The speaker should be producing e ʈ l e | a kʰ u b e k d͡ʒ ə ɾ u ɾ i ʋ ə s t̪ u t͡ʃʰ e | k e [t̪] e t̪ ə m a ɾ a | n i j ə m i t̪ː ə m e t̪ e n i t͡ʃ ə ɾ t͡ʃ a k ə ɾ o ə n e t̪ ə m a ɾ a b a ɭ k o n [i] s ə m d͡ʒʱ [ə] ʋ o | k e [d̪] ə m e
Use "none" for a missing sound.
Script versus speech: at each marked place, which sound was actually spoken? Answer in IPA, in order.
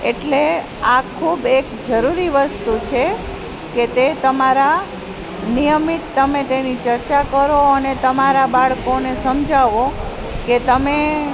t̪, e, a, t̪

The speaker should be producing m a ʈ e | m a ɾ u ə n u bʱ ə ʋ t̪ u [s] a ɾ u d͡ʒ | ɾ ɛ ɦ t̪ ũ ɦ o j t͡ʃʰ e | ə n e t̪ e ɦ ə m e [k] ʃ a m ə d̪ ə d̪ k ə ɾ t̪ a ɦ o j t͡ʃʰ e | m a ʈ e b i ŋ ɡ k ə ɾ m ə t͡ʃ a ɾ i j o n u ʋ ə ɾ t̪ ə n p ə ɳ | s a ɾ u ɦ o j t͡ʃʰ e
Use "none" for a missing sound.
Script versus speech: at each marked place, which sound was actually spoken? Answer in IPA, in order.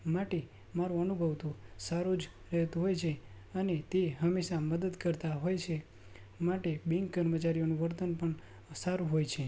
s, none

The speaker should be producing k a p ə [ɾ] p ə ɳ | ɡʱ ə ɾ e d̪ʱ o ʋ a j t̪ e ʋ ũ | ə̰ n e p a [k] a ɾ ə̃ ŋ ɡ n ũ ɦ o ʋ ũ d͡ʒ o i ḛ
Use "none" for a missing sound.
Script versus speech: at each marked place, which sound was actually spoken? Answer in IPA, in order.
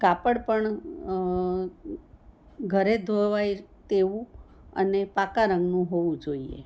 ɽ, k

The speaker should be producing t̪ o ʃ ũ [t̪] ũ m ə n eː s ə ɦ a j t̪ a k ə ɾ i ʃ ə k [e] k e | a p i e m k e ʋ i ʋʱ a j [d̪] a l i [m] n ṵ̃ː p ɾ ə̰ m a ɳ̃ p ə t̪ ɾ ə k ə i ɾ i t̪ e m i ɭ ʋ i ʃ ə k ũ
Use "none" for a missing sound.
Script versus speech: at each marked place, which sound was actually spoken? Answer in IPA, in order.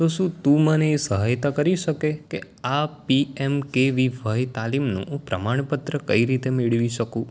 t̪, e, t̪, m

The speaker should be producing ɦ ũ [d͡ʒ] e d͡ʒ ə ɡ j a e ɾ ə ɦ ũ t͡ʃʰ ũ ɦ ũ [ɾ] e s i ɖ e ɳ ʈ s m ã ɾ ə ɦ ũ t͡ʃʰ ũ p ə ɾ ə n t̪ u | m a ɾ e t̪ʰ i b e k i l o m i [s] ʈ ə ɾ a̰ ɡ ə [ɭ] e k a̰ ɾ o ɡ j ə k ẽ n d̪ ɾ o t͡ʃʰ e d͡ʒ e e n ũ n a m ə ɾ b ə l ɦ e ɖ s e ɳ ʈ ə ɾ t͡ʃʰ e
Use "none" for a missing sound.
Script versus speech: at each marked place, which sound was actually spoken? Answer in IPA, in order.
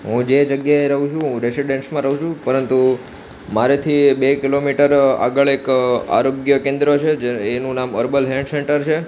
d͡ʒ, ɾ, none, ɭ

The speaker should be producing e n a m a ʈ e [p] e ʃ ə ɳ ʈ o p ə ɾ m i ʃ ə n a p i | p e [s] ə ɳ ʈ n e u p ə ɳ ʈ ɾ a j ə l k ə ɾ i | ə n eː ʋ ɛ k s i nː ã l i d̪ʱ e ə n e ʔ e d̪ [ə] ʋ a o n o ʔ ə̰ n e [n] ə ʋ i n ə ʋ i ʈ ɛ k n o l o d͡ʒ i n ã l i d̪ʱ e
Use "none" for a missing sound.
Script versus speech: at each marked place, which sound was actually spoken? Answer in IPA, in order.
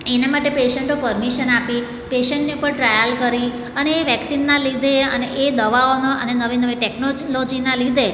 p, ʃ, ə, n

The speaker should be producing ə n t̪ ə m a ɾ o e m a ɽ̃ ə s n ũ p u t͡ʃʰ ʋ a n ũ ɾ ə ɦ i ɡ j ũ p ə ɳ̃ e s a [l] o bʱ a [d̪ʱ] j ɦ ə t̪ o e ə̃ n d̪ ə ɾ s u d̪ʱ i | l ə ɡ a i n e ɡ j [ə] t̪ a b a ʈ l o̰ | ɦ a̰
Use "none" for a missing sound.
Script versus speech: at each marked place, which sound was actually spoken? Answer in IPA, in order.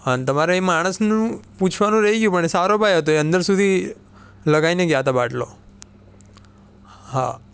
ɾ, none, a

